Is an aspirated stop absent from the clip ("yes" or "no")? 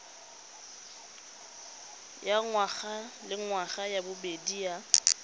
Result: yes